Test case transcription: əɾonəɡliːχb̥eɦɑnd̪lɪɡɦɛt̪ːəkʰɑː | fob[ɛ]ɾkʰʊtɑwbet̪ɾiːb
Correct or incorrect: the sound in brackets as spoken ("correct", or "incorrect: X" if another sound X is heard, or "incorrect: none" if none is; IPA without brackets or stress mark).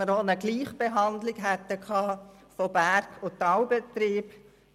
incorrect: æ